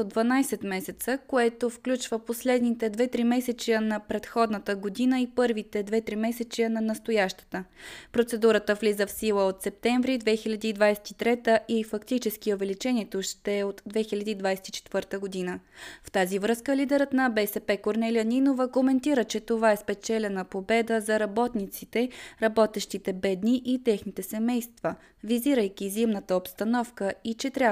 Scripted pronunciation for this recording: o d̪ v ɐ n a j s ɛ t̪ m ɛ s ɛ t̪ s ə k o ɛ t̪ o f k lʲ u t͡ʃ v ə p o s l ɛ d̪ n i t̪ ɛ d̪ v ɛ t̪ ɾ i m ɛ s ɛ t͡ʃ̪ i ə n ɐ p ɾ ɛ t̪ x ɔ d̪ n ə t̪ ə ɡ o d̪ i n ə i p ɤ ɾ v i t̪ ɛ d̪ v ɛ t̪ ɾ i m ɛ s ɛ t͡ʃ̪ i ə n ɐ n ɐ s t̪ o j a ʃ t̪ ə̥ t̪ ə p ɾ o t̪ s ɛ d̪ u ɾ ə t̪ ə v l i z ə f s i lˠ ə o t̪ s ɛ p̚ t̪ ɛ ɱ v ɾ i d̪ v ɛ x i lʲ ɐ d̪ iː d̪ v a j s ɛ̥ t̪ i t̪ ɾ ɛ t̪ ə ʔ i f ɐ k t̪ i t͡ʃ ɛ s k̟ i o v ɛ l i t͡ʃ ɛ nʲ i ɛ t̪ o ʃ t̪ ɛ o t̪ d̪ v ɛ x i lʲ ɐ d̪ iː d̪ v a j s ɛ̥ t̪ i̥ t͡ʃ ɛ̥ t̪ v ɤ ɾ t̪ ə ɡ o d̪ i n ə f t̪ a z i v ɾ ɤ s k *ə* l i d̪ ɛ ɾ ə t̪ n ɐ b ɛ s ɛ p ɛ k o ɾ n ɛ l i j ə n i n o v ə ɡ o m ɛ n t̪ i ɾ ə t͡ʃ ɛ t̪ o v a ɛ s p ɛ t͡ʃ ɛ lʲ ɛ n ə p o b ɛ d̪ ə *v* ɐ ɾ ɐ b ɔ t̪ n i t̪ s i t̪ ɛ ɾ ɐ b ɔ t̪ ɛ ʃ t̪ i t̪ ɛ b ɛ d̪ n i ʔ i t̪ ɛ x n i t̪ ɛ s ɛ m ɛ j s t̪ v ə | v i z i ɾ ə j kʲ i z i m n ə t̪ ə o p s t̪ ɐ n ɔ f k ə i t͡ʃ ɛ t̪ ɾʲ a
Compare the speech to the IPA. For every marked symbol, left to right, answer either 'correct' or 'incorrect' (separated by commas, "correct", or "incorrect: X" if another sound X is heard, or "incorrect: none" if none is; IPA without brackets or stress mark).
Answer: correct, incorrect: z